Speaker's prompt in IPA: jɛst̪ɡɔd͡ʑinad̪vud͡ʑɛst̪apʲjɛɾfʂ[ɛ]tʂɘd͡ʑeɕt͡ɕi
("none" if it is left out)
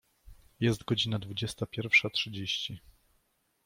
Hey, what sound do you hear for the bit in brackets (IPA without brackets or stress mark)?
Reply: a